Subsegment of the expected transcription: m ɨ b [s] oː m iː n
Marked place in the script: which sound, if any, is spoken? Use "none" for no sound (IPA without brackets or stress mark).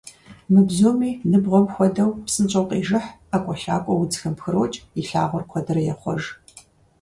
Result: z